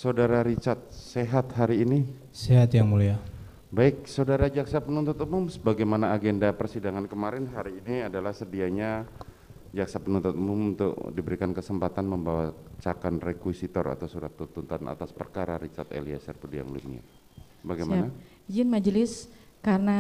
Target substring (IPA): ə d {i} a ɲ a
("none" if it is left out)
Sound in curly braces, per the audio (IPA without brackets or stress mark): i